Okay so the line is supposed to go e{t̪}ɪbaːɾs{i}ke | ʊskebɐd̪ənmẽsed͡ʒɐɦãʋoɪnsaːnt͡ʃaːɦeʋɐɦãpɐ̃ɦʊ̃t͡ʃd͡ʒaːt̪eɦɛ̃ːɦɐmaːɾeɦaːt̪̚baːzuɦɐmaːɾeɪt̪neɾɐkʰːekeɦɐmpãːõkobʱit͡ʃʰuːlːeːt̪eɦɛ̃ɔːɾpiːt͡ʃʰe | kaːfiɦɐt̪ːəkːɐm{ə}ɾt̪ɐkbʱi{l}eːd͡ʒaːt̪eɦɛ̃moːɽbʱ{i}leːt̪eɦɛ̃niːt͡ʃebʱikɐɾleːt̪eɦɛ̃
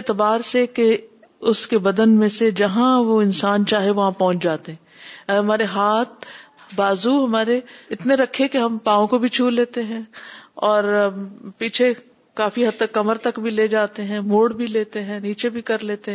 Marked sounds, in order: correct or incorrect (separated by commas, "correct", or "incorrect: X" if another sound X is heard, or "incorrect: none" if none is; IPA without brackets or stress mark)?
correct, incorrect: e, correct, correct, correct